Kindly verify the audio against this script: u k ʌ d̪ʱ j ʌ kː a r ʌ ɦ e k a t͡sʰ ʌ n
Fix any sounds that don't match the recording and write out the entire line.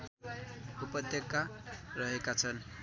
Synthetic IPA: u p ʌ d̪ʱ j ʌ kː a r ʌ ɦ e k a t͡sʰ ʌ n